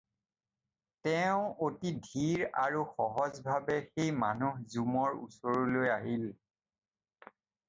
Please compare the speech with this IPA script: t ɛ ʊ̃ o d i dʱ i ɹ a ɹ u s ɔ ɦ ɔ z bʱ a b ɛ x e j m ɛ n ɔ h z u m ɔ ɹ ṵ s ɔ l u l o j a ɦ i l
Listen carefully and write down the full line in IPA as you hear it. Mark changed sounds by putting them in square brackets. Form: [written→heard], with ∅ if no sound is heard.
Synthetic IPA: t ɛ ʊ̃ o [d→t] i dʱ i ɹ a ɹ u [s→x] ɔ ɦ ɔ z bʱ a b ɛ x e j m [ɛ→a] n [ɔ→u] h z u m ɔ ɹ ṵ s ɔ [l→ɹ] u l o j a ɦ i l